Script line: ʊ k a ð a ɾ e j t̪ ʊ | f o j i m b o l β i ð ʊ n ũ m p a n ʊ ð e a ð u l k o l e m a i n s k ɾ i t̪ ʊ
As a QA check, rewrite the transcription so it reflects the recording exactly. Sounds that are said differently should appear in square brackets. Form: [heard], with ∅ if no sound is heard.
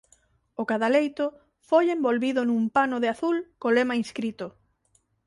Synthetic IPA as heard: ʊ k a ð a [l] e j t̪ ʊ | f o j [e] m b o l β i ð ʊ n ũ m p a n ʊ ð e a [θ] u l k o l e m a i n s k ɾ i t̪ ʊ

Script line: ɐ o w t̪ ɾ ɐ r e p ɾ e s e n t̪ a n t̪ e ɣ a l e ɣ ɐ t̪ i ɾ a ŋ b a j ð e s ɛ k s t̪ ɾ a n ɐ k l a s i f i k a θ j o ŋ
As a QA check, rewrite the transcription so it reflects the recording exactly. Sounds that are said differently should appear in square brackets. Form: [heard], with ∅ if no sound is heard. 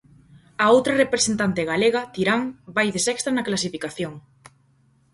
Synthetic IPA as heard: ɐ o w t̪ ɾ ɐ r e p ɾ e s e n t̪ a n t̪ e ɣ a l e ɣ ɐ t̪ i ɾ a ŋ b a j ð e s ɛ k s t̪ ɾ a n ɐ k l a s i f i k a θ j o ŋ

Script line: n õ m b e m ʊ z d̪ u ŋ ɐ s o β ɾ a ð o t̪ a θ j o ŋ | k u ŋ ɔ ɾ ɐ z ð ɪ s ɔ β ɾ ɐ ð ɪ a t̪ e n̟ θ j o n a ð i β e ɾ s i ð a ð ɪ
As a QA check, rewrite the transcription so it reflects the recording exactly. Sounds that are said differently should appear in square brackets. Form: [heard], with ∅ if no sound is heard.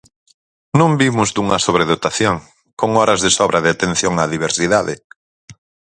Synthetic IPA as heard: n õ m b [i] m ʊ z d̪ u ŋ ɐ s o β ɾ [e] ð o t̪ a θ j o ŋ | k [o] ŋ ɔ ɾ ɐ z ð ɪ s ɔ β ɾ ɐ ð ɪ a t̪ e n̟ θ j o [ŋ] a ð i β e ɾ s i ð a ð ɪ

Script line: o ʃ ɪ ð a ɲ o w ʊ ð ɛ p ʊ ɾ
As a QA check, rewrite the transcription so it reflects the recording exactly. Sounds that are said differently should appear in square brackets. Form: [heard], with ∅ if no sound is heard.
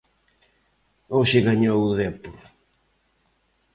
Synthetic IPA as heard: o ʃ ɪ [ɣ] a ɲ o w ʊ ð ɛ p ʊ ɾ

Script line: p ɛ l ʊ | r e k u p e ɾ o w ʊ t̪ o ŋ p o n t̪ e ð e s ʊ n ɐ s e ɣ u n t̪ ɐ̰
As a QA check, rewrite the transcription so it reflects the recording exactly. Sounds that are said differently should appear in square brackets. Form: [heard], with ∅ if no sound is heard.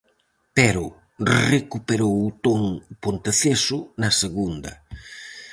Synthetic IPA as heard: p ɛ [ɾ] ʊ | r e k u p e ɾ o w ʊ t̪ o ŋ p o n t̪ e [θ] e s ʊ n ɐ s e ɣ u n [d̪] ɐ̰

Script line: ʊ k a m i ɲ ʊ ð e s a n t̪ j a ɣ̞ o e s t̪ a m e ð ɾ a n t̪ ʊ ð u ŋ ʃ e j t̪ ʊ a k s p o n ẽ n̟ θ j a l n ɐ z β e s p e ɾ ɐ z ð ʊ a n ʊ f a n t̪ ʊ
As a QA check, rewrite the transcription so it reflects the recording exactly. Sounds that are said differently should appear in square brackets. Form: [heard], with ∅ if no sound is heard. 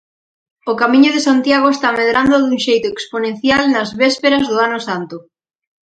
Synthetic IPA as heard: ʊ k a m i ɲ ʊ ð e s a n t̪ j a ɣ̞ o e s t̪ a m e ð ɾ a n [d̪] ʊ ð u ŋ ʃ e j t̪ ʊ [e] k s p o n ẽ n̟ θ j a l n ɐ z β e s p e ɾ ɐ z ð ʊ a n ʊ [s] a n t̪ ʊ

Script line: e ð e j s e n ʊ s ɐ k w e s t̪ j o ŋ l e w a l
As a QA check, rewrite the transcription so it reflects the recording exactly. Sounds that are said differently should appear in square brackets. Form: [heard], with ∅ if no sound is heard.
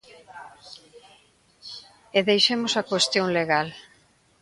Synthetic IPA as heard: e ð e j [ʃ] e [m] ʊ s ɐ k w e s t̪ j o ŋ l e [ɣ] a l

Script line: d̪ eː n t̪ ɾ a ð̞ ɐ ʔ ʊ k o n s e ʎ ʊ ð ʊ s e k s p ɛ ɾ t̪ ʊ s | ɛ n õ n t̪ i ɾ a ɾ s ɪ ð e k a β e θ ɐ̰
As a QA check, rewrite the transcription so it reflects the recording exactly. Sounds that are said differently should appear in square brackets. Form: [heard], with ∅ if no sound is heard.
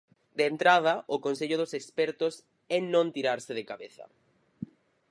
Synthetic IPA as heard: d̪ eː n t̪ ɾ a ð̞ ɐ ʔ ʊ k o n s e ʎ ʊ ð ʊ s e k s p ɛ ɾ t̪ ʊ s | ɛ n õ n t̪ i ɾ a ɾ s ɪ ð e k a β e θ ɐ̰

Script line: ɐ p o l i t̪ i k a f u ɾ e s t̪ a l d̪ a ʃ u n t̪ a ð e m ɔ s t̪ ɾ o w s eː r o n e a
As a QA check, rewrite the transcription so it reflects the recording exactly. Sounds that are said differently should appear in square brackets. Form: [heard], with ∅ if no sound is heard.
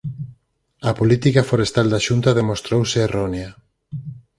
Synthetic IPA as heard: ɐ p o l i t̪ i k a f [o] ɾ e s t̪ a l d̪ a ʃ u n t̪ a ð e m [o] s t̪ ɾ o w s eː r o n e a

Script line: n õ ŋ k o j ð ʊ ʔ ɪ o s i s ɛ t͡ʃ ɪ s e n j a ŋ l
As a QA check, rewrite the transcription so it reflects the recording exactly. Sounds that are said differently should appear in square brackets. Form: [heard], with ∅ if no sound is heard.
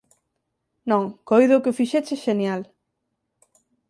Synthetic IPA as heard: n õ ŋ k o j ð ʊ [k] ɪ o [f] i [ʃ] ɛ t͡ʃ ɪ [ʃ] e n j a [∅] l

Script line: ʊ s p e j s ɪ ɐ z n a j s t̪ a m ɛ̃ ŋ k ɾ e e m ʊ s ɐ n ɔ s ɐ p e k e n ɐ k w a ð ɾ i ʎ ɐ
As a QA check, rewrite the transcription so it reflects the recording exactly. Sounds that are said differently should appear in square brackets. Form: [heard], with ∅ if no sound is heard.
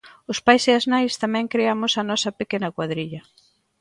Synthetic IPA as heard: ʊ s p [a] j s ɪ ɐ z n a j s t̪ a m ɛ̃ ŋ k ɾ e [a] m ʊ s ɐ n ɔ s ɐ p e k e n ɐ k w a ð ɾ i ʎ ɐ

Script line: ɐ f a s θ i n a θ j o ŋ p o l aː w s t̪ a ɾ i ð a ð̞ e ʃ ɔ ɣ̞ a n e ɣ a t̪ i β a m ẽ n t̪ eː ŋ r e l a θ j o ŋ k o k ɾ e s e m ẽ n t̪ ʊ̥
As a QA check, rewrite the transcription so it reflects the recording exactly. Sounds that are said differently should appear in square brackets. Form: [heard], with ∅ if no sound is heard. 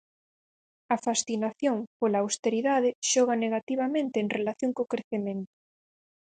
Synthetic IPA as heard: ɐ f a s θ i n a θ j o ŋ p o l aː w s t̪ [e] ɾ i ð a ð̞ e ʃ ɔ ɣ̞ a n e ɣ a t̪ i β a m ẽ n t̪ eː ŋ r e l a θ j o ŋ k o k ɾ e [θ] e m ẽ n t̪ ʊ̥

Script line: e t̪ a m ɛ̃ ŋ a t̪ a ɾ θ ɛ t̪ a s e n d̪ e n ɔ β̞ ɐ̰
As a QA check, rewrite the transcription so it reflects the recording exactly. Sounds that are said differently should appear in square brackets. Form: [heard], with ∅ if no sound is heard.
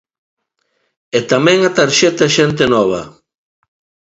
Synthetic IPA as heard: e t̪ a m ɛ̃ ŋ a t̪ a ɾ [ʃ] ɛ t̪ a [ʃ] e n [t̪] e n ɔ β̞ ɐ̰

